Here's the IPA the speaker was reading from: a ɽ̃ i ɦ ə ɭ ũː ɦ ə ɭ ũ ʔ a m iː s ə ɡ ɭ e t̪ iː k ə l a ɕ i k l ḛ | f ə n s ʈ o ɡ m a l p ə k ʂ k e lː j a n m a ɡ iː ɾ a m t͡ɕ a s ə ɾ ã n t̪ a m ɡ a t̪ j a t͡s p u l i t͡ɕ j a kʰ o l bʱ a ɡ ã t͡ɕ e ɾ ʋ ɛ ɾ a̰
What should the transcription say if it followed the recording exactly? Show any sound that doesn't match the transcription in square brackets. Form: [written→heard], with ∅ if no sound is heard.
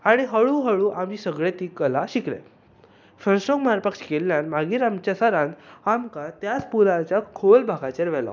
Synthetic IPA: a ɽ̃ i ɦ ə ɭ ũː ɦ ə ɭ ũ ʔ a m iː s ə ɡ ɭ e t̪ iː k ə l a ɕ i k l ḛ | f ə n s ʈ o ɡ m a [l→ɾ] p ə k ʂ k e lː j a n m a ɡ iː ɾ a m t͡ɕ a s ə ɾ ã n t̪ a m [ɡ→k] a t̪ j a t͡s p u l [i→a] t͡ɕ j a kʰ o l bʱ a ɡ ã t͡ɕ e ɾ ʋ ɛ [ɾ→l] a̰